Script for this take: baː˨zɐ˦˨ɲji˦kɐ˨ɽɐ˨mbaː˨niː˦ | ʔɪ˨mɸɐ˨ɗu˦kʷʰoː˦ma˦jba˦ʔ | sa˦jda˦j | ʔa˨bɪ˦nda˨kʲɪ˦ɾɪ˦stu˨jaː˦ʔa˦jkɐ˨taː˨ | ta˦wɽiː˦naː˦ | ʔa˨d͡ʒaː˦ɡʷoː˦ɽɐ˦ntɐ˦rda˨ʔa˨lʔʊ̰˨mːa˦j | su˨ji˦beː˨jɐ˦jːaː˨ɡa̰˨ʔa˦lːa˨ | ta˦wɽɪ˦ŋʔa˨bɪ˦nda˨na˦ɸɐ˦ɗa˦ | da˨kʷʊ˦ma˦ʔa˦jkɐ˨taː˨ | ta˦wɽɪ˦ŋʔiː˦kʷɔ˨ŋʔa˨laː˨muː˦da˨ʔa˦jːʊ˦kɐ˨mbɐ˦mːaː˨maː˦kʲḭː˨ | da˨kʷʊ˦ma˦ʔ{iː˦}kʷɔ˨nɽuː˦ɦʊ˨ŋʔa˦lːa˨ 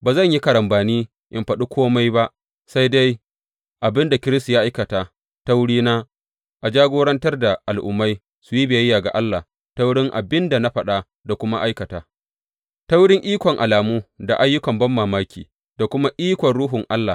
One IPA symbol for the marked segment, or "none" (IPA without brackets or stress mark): iː˦